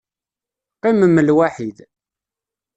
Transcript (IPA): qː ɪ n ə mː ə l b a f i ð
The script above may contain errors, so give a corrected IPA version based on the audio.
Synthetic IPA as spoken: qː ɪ m ə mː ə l w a ħ i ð